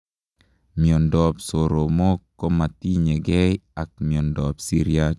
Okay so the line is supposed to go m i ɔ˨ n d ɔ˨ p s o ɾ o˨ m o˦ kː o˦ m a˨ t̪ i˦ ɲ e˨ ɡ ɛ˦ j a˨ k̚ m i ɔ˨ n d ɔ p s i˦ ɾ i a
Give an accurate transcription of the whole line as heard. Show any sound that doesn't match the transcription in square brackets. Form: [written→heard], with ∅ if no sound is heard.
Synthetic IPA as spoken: m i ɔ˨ n d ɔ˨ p s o ɾ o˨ m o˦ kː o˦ m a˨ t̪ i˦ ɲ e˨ ɡ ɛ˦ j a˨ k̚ m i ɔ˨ n d ɔ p s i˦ ɾ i a